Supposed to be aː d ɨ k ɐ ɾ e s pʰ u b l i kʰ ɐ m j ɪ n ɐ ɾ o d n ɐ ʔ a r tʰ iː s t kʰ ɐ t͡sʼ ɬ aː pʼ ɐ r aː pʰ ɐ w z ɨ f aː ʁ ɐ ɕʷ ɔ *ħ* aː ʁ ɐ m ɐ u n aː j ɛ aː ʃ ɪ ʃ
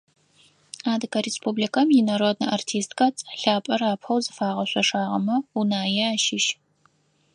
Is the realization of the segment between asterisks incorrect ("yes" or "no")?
yes